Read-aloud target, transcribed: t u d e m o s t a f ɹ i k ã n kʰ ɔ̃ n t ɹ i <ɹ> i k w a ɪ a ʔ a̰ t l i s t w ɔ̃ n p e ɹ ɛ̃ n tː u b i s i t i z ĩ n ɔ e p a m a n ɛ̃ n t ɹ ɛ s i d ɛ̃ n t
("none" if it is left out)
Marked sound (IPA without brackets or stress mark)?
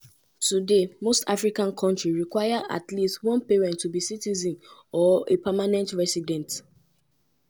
ɹ